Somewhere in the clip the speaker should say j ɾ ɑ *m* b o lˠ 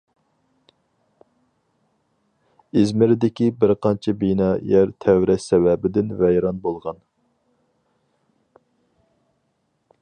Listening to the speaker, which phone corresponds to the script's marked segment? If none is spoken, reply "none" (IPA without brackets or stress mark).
n